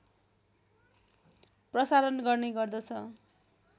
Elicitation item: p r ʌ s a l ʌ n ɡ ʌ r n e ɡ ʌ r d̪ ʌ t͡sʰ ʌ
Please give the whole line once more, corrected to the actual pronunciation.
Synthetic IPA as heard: p r ʌ s a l ʌ n ɡ ʌ r n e ɡ ʌ r d̪ ʌ t͡sʰ ʌ